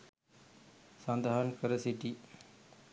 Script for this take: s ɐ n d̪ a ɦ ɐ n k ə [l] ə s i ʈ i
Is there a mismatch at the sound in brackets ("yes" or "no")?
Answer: yes